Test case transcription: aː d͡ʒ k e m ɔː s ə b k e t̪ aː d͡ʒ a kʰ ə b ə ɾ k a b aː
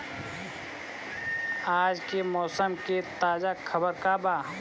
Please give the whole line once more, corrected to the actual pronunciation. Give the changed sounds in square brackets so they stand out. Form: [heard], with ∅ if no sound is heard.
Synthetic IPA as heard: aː d͡ʒ k e m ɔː s ə [m] k e t̪ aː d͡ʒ a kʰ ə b ə ɾ k a b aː